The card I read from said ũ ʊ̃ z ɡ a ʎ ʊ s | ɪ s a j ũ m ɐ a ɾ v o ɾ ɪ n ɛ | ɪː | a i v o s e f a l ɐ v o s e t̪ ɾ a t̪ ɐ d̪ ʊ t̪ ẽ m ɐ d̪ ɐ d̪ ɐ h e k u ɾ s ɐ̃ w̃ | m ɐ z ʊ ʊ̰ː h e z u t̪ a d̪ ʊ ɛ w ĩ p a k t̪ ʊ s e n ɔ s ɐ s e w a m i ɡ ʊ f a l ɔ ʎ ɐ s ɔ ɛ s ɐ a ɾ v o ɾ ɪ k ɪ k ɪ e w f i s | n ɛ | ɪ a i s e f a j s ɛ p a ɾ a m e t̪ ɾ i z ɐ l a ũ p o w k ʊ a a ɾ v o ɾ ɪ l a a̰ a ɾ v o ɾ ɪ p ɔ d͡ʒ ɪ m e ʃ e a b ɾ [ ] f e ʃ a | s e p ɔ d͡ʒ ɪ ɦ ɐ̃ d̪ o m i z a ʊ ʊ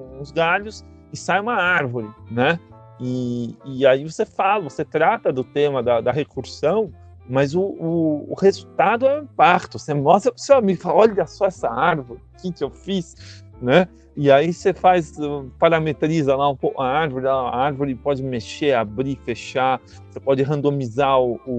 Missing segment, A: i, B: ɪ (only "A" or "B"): A